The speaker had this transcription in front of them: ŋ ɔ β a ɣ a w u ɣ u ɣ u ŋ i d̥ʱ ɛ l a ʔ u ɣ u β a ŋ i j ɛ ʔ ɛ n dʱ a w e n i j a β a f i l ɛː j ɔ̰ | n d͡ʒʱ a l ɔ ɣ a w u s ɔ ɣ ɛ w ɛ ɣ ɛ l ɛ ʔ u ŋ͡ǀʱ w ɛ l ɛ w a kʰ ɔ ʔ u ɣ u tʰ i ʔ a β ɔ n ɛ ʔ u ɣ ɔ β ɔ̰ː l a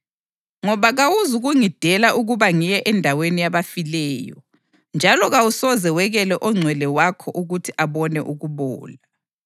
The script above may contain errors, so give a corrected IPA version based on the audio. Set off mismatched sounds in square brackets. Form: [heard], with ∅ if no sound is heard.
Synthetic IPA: ŋ ɔ β a ɣ a w u [z] u ɣ u ŋ i d̥ʱ ɛ l a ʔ u ɣ u β a ŋ i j ɛ ʔ ɛ n dʱ a w e n i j a β a f i l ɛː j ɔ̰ | n d͡ʒʱ a l ɔ ɣ a w u s ɔ [z] ɛ w ɛ ɣ ɛ l ɛ ʔ [ɔ] ŋ͡ǀʱ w ɛ l ɛ w a kʰ ɔ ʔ u ɣ u tʰ i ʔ a β ɔ n ɛ ʔ u ɣ [u] β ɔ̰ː l a